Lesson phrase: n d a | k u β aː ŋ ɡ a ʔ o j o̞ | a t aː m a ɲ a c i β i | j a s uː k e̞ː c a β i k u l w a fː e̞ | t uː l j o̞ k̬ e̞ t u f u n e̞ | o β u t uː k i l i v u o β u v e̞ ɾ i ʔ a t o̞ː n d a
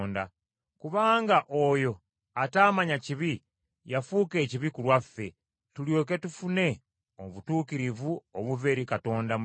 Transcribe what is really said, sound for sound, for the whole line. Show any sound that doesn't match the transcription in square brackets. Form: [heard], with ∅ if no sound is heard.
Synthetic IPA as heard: n d a | k u β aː ŋ ɡ a ʔ o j o̞ | a t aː m a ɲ a c i β i | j a [f] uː k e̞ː c [i] β i k u l w a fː e̞ | t [u] l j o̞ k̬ e̞ t u f u n e̞ | o β u t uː k i [ɾ] i v u o β u v e̞ ɾ i [k] a t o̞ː n d a